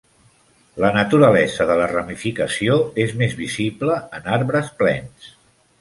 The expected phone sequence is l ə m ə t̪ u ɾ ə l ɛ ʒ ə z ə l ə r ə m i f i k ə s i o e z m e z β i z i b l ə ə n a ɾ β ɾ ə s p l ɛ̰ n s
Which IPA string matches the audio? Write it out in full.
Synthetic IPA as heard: l ə n ə t̪ u ɾ ə l ɛ z ə ð ə l ə r ə m i f i k ə s i o e z m e z β i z i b l ə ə n a ɾ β ɾ ə s p l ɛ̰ n s

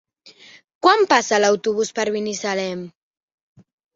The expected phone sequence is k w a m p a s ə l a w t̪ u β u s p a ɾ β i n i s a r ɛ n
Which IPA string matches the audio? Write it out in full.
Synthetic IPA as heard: k w a m p a s a l a w t̪ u β u s p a ɾ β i n i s a l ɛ m

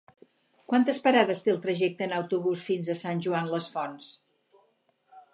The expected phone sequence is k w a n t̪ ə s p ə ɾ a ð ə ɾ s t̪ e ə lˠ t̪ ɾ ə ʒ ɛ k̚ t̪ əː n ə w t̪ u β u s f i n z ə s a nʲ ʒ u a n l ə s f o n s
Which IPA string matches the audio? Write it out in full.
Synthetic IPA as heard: k w a n t̪ ə s p ə ɾ a ð ə s t̪ e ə lˠ t̪ ɾ ə ʒ ɛ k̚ t̪ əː n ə w t̪ u β u s f i n z ə s a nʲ ʒ u a n l ə s f ɔ n s

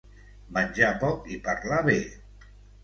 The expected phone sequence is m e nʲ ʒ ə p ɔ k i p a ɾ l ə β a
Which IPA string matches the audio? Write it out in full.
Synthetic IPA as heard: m a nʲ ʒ a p ɔ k i p a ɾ l a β e

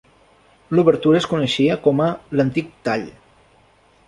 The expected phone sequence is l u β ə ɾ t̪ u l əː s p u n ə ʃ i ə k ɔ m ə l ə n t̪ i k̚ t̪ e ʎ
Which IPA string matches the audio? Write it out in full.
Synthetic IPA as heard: l u β ə ɾ t̪ u ɾ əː s k u n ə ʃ i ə k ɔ m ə l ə n t̪ i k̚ t̪ a ʎ

